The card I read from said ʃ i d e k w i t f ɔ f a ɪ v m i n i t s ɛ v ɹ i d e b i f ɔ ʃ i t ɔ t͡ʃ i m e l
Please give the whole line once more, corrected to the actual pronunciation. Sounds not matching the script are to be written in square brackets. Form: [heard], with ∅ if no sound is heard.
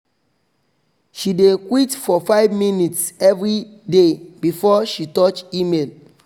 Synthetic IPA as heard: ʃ i d e k w i t f ɔ f a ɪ v m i n i t s ɛ v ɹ i d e b i f ɔ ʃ i t ɔ t͡ʃ i m e l